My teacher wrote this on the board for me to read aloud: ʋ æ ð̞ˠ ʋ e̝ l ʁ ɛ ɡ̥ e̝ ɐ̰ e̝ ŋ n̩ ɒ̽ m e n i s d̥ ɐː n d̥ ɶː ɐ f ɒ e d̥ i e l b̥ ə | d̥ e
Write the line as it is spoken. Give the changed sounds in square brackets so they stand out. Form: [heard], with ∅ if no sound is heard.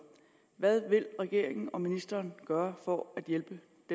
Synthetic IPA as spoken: ʋ æ ð̞ˠ ʋ e̝ l ʁ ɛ ɡ̥ e̝ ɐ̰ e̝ ŋ n̩ ɒ̽ m [i] n i s d̥ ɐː n [ɡ̥] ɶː ɐ f ɒ [æ] d̥ [j] e l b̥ ə | d̥ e